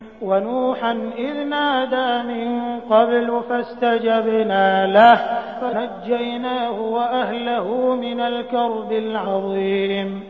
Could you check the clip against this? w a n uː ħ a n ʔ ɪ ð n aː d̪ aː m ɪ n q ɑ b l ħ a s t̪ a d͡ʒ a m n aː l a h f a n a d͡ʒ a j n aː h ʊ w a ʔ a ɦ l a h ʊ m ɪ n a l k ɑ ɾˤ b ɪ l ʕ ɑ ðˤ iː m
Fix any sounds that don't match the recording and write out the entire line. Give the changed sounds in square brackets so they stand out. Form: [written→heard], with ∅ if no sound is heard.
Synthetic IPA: w a n uː ħ a n ʔ ɪ ð n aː d̪ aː m ɪ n q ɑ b l [ħ→f] a s t̪ a d͡ʒ a [m→b] n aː l a h f a n a [d͡ʒ→d͡ʒː] a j n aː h ʊ w a ʔ a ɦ l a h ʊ m ɪ n a l k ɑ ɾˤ b ɪ l ʕ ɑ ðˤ iː m